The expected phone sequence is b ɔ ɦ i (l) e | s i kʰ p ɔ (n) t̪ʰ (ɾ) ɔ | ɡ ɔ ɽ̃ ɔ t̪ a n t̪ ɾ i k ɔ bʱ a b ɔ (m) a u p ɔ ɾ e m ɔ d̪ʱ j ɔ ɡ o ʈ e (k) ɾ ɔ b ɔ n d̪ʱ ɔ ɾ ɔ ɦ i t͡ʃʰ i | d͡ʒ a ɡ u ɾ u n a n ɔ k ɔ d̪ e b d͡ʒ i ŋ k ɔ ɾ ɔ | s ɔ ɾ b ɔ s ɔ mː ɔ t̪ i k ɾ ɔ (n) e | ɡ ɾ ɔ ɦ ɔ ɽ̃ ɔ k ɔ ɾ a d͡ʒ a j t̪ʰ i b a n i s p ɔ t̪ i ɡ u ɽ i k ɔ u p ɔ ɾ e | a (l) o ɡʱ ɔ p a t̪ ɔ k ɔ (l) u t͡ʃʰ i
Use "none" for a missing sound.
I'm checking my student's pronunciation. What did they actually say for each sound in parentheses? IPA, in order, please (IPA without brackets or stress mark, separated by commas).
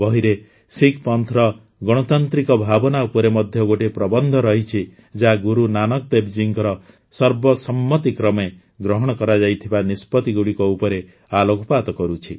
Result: ɾ, n, ɾ, n, p, m, l, ɾ